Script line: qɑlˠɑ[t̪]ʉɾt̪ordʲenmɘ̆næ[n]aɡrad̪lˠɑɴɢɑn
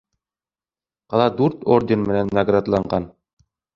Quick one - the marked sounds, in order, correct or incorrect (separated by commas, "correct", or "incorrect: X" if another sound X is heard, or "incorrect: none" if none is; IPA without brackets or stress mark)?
incorrect: d̪, incorrect: nː